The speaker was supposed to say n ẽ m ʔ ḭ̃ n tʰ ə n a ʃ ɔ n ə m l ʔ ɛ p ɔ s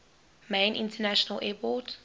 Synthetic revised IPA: m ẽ n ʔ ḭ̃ n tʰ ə n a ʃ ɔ n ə l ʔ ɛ p ɔ t

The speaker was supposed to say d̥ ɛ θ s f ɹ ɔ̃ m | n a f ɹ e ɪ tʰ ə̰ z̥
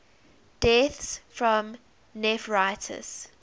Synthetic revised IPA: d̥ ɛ θ s f ɹ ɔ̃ m | n ɛ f ɹ a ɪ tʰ ə̰ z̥

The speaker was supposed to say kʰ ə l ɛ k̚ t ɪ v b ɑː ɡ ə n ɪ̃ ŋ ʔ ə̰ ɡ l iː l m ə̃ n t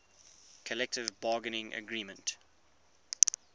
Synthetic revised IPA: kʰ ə l ɛ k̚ t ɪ v b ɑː ɡ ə n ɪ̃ ŋ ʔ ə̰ ɡ ɹ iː m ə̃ n t

